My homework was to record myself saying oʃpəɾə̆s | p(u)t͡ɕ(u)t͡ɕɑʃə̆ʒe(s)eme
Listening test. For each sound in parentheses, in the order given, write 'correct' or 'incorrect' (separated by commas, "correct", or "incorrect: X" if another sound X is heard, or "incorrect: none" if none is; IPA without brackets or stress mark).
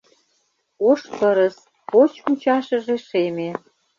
incorrect: o, correct, incorrect: ʃ